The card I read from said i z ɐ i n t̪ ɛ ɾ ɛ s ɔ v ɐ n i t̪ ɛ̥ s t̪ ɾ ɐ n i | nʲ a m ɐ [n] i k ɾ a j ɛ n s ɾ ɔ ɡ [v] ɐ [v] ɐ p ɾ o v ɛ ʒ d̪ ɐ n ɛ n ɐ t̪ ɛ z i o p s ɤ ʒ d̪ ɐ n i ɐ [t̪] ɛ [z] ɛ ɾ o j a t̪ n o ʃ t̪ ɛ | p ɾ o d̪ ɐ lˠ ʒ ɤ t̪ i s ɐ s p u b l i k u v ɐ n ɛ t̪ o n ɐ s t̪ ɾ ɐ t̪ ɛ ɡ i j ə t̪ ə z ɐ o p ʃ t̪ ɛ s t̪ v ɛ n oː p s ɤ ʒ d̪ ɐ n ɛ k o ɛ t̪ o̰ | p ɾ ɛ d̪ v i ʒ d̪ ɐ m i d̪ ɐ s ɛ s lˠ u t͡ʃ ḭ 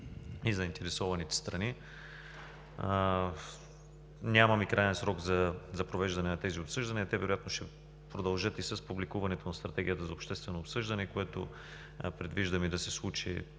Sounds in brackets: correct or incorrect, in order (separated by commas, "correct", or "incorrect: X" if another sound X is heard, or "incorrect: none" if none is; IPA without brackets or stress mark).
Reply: incorrect: m, incorrect: z, incorrect: z, correct, incorrect: v